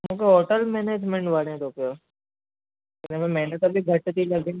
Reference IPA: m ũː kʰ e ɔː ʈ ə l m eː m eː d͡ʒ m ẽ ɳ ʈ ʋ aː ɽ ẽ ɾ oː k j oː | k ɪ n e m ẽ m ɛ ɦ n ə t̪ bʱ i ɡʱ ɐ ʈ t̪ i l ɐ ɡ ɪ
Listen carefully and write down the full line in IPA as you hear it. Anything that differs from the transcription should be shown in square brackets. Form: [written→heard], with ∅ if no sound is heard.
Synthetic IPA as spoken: m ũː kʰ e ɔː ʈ ə l m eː [m→n] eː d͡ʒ m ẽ ɳ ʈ ʋ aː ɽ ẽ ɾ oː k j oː | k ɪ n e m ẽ m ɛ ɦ n ə t̪ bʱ i ɡʱ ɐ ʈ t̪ i l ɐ ɡ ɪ